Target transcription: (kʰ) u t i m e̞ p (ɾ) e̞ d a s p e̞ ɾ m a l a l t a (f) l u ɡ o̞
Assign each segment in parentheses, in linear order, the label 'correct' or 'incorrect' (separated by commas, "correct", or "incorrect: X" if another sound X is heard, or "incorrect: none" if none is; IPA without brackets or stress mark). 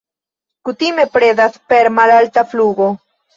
incorrect: k, correct, correct